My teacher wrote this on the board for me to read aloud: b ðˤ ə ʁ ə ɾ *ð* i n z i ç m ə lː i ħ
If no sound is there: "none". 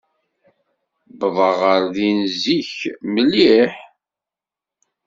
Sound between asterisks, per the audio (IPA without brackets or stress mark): ð